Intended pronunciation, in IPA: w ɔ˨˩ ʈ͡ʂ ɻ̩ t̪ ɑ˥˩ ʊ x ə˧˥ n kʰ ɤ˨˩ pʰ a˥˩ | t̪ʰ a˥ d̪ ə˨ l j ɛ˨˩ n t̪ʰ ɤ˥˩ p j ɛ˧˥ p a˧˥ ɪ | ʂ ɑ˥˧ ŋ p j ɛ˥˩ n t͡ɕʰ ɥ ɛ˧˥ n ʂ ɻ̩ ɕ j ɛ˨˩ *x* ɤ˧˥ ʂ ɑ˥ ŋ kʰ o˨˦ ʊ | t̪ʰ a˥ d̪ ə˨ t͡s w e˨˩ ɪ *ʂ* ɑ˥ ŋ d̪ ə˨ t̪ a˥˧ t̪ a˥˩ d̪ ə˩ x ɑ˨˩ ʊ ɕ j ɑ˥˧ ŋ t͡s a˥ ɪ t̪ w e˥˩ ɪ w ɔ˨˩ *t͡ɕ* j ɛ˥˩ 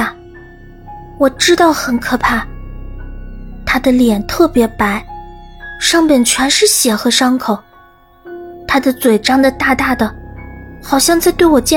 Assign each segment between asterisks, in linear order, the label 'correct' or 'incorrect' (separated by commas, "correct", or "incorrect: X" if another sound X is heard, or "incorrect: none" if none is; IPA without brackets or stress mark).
correct, incorrect: ʈ͡ʂ, correct